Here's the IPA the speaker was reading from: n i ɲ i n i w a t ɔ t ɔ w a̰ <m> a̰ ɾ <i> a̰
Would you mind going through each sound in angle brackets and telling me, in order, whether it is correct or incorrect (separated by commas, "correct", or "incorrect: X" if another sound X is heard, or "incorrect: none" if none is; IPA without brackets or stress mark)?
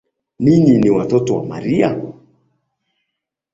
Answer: correct, correct